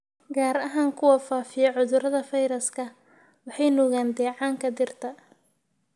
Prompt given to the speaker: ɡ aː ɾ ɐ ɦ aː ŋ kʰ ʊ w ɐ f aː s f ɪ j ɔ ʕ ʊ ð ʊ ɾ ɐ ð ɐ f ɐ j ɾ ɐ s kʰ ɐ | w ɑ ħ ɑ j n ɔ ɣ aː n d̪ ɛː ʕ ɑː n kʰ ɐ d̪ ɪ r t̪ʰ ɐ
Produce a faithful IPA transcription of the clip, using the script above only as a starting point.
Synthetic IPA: ɡ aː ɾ ɐ ɦ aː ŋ kʰ ʊ w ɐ f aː f ɪ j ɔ ʕ ʊ ð ʊ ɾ ɐ ð ɐ f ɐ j ɾ ɐ s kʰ ɐ | w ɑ ħ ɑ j n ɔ ɣ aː n d̪ ɛː ʕ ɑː ŋ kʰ ɐ d̪ ɪ r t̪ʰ ɐ